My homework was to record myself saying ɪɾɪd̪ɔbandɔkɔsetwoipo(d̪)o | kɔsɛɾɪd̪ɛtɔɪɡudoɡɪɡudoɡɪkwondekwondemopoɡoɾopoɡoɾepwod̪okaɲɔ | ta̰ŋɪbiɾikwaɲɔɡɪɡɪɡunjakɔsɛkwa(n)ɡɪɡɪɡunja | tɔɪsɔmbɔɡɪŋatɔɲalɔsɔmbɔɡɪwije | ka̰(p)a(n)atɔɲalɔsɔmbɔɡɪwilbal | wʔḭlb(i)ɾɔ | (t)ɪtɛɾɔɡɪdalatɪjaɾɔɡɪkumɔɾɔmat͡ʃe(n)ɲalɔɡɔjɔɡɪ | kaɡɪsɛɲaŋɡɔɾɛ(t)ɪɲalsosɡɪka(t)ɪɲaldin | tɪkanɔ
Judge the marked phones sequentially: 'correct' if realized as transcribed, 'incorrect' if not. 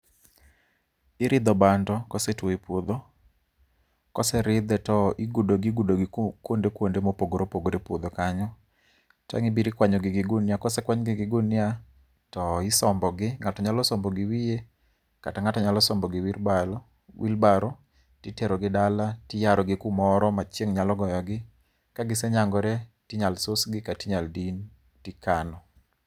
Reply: correct, incorrect, incorrect, incorrect, incorrect, correct, incorrect, correct, correct

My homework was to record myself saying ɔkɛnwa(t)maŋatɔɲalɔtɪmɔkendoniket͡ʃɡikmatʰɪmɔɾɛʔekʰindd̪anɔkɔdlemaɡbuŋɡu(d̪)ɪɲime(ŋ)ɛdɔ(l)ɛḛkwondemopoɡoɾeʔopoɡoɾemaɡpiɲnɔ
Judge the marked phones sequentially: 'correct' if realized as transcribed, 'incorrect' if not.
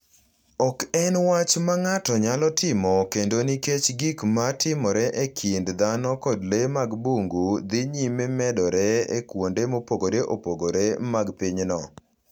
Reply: incorrect, correct, incorrect, incorrect

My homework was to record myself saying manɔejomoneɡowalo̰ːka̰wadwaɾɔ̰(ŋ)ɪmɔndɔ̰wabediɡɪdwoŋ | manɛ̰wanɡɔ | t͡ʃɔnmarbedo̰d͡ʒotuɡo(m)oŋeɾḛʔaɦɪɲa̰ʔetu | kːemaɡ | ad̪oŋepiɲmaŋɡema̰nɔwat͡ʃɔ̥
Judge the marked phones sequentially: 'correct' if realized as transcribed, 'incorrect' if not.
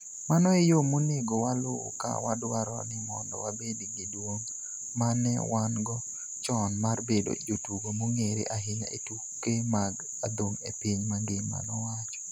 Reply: incorrect, correct

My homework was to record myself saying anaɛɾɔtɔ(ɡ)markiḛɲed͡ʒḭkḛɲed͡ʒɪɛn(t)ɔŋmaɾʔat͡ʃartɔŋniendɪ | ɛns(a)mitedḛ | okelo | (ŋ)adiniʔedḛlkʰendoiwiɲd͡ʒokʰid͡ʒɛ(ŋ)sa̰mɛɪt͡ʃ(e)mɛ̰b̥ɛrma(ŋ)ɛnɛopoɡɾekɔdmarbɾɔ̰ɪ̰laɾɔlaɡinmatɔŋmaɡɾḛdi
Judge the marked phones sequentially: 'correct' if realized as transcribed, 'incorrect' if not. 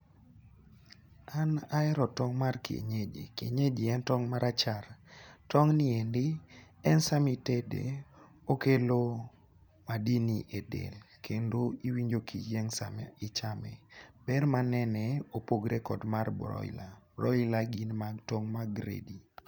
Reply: incorrect, correct, correct, incorrect, correct, incorrect, incorrect

